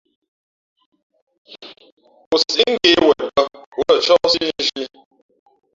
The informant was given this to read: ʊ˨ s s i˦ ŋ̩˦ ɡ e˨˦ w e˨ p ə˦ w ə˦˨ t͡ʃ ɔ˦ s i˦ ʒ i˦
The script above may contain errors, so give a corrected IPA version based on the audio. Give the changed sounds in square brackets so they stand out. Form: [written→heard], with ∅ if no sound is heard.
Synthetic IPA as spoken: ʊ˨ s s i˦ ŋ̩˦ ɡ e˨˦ w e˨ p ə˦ w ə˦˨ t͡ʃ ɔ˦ s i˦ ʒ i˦